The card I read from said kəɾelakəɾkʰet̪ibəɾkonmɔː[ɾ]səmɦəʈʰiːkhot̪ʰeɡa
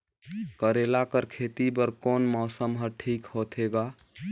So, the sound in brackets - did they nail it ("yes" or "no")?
no